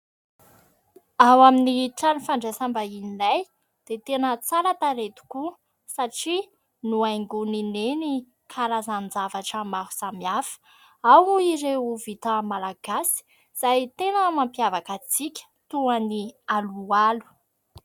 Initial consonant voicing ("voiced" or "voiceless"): voiced